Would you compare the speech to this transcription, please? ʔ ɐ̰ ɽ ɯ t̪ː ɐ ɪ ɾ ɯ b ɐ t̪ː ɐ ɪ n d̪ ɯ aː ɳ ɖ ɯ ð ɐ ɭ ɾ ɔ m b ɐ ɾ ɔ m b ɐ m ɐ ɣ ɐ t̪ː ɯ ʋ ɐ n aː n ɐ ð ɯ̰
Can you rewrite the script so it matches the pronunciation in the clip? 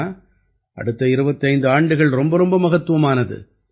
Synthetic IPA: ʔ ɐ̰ ɽ ɯ t̪ː ɐ ɪ ɾ ɯ b ɐ t̪ː ɐ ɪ n d̪ ɯ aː ɳ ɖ ɯ ɣ ɐ ɭ ɾ ɔ m b ɐ ɾ ɔ m b ɐ m ɐ ɣ ɐ t̪ː ɯ ʋ ɐ m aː n ɐ ð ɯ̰